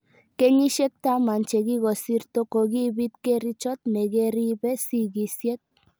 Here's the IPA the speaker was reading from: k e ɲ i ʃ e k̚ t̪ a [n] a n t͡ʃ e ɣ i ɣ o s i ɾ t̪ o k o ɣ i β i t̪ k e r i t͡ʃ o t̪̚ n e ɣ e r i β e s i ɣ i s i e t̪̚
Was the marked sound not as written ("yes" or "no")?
yes